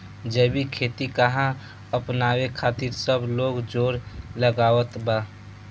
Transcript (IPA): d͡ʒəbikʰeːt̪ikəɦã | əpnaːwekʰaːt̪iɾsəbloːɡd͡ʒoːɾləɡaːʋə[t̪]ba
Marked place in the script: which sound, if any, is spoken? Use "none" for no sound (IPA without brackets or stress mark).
t̪